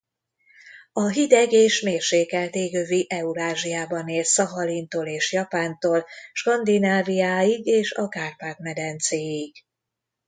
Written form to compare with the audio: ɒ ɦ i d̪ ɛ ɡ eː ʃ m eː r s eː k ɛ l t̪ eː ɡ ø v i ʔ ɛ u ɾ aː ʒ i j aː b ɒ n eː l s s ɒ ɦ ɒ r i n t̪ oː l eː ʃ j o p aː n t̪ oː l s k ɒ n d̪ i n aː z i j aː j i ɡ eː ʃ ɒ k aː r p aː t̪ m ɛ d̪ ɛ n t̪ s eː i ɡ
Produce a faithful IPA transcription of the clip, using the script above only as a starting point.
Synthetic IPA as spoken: ɒ ɦ i d̪ ɛ ɡ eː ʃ m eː r ʃ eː k ɛ l t̪ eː ɡ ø v i ʔ ɛ u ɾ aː ʒ i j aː b ɒ n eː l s s ɒ ɦ ɒ l i n t̪ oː l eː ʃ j ɒ p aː n t̪ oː l ʃ k ɒ n d̪ i n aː v i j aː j i ɡ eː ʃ ɒ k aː r p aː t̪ m ɛ d̪ ɛ n t̪ s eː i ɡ

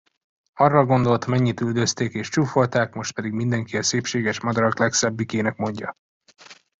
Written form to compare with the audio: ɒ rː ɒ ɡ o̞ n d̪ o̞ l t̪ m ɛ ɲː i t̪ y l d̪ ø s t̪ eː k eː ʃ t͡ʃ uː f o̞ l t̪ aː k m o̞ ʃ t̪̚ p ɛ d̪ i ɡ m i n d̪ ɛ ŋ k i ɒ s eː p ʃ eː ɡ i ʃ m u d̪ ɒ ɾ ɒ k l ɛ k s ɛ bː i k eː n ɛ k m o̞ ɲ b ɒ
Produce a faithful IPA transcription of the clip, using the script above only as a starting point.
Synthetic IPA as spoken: ɒ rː ɒ ɡ o̞ n d̪ o̞ l t̪ m ɛ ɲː i t̪ y l d̪ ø s t̪ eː k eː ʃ t͡ʃ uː f o̞ l t̪ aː k m o̞ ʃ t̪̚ p ɛ d̪ i ɡ m i n d̪ ɛ ŋ k i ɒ s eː p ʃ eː ɡ ɛ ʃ m ɒ d̪ ɒ ɾ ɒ k l ɛ k s ɛ bː i k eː n ɛ k m o̞ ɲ ɟ ɒ

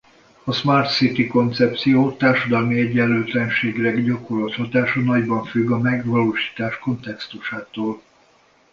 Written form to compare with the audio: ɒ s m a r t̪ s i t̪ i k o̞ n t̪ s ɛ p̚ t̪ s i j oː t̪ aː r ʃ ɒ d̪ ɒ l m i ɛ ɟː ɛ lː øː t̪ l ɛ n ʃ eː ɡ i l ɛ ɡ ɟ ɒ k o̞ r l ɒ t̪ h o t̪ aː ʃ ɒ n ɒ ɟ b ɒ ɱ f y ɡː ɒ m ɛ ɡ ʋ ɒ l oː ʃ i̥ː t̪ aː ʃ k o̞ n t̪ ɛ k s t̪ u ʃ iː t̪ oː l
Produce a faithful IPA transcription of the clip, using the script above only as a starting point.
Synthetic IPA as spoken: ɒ s m a r t̪ s i t̪ i k o̞ n t̪ s ɛ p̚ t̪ s i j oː t̪ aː r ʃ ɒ d̪ ɒ l m i ɛ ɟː ɛ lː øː t̪ l ɛ n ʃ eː ɡ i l ɛ ɡ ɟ ɒ k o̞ r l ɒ t̪ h ɒ t̪ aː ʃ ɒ n ɒ ɟ b ɒ ɱ f y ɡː ɒ m ɛ ɡ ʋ ɒ l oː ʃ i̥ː t̪ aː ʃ k o̞ n t̪ ɛ k s t̪ u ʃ aː t̪ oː l

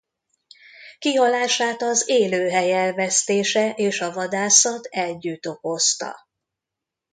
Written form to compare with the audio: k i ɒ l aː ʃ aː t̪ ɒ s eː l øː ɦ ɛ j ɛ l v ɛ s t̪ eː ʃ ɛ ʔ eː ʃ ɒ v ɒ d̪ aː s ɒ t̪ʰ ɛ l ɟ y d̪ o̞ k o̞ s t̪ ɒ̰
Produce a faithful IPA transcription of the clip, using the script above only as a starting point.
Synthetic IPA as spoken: k i ɒ l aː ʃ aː t̪ ɒ z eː l øː ɦ ɛ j ɛ l v ɛ s t̪ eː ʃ ɛ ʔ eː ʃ ɒ v ɒ d̪ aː s ɒ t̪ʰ ɛ l ɟ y t̪ o̞ k o̞ s t̪ ɒ̰

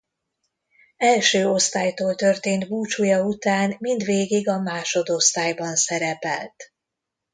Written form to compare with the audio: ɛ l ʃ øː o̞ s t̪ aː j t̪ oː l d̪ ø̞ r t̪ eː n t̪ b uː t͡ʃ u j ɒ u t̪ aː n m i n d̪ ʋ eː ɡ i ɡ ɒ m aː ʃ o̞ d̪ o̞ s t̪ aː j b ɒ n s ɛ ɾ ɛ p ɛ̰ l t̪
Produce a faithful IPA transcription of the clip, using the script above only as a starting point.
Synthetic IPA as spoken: ɛ l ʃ øː o̞ s t̪ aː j t̪ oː l t̪ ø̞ r t̪ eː n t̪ b uː t͡ʃ u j ɒ u t̪ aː n m i n d̪ ʋ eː ɡ i ɡ ɒ m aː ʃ o̞ d̪ o̞ s t̪ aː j b ɒ n s ɛ ɾ ɛ p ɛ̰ l t̪

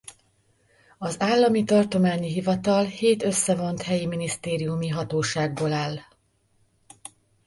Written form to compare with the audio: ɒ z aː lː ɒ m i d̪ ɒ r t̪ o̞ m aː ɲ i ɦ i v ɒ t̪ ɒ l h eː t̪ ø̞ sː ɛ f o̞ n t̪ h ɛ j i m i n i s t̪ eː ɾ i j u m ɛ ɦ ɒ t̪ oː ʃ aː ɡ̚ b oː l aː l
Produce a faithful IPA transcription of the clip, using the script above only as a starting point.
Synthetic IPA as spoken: ɒ z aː lː ɒ m i t̪ ɒ r t̪ o̞ m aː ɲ i ɦ i v ɒ t̪ ɒ l h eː t̪ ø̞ sː ɛ v o̞ n t̪ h ɛ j i m i n i s t̪ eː ɾ i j u m i ɦ ɒ t̪ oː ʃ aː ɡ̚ b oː l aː l

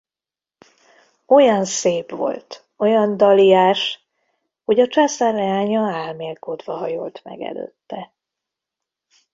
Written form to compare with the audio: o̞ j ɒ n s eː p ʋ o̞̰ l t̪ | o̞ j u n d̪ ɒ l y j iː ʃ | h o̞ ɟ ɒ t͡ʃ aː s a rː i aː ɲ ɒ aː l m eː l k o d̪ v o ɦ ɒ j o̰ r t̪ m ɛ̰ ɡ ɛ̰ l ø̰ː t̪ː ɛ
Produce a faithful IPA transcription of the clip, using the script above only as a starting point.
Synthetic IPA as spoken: o̞ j ɒ n s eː p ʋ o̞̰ l t̪ | o̞ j ɒ n d̪ ɒ l i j aː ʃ | h o̞ ɟ ɒ t͡ʃ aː s a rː ɛ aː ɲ ɒ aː l m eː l k o d̪ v ɒ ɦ ɒ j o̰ l t̪ m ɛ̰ ɡ ɛ̰ l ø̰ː t̪ː ɛ

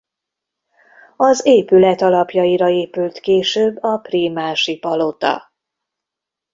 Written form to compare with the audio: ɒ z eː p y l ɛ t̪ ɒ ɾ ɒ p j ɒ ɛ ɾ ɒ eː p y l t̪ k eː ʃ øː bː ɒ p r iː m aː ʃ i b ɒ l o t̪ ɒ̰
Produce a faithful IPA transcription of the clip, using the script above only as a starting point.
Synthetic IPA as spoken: ɒ z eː p y l ɛ t̪ ɒ l ɒ p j ɒ i ɾ ɒ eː p y l t̪ k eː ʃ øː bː ɒ p r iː m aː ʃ i p ɒ l o t̪ ɒ̰

